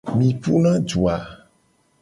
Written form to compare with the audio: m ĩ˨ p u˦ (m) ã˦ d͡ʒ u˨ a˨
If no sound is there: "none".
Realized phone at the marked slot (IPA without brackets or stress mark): n